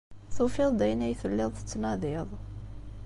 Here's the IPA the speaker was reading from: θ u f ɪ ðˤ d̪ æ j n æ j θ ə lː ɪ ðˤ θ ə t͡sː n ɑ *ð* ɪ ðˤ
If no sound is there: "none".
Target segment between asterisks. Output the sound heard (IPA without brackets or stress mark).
ð